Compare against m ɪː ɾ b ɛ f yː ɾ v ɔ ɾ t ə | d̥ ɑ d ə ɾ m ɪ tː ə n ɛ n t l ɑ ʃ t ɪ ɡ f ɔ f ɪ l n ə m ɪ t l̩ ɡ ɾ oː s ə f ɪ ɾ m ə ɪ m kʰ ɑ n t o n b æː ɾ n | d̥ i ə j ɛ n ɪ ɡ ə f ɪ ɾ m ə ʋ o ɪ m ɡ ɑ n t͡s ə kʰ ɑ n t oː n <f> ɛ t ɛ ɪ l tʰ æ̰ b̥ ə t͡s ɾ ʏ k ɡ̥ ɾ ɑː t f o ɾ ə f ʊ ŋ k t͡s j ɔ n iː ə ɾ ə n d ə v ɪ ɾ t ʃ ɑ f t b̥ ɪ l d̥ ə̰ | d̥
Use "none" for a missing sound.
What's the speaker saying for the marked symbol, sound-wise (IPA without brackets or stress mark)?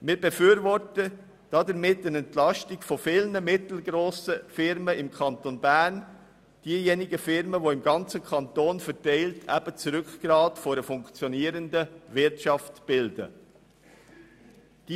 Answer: f